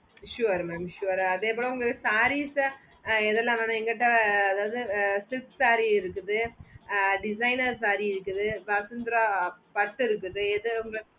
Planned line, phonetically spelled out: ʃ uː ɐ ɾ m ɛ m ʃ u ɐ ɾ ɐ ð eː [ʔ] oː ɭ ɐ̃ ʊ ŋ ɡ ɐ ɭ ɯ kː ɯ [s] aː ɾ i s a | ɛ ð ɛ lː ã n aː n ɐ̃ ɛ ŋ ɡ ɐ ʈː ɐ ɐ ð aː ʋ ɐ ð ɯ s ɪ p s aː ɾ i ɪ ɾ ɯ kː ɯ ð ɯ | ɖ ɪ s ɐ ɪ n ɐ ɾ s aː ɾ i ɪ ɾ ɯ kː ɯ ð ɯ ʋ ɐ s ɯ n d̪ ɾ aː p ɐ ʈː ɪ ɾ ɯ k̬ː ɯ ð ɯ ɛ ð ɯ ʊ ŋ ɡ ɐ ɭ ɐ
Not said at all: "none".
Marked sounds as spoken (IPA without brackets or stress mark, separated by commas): p, s